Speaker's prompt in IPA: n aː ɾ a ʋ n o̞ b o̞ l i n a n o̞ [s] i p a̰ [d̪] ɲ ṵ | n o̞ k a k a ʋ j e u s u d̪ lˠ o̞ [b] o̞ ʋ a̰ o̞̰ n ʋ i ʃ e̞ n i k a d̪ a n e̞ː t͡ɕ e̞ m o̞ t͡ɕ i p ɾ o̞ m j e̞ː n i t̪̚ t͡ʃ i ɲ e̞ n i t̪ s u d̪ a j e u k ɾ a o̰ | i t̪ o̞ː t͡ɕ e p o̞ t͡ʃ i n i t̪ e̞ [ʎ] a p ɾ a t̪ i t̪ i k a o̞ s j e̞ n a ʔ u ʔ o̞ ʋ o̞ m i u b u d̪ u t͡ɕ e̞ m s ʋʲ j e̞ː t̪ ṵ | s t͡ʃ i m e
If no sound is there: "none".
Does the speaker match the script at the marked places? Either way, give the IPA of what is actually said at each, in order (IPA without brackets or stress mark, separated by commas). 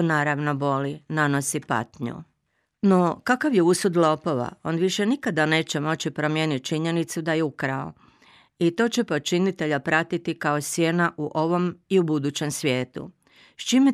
s, t̪, p, ʎ